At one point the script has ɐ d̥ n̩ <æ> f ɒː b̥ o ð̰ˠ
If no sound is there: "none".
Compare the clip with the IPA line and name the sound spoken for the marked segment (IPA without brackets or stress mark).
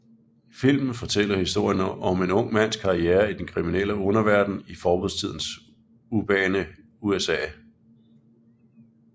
i